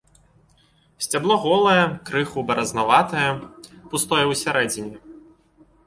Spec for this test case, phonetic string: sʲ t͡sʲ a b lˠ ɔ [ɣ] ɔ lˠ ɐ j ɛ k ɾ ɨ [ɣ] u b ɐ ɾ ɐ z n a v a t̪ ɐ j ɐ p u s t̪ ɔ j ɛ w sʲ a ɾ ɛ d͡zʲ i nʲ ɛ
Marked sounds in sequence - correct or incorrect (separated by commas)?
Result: correct, incorrect